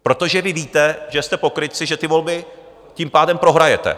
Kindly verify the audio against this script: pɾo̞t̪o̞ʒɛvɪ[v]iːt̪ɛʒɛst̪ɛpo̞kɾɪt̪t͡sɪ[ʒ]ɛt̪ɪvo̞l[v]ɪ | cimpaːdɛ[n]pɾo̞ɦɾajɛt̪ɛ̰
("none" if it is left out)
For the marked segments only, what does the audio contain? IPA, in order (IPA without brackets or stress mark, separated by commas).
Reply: v, ʒ, b, m